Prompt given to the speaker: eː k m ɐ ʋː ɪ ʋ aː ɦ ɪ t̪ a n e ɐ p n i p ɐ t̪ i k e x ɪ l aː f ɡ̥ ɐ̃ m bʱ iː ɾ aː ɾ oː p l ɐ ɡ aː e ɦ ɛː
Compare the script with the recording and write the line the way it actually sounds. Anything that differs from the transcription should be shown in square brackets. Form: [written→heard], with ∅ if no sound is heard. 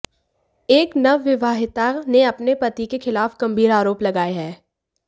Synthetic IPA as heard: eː k [m→n] ɐ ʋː ɪ ʋ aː ɦ ɪ t̪ a n e ɐ p n [i→e] p ɐ t̪ i k e x ɪ l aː f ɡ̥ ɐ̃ m bʱ iː ɾ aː ɾ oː p l ɐ ɡ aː e ɦ ɛː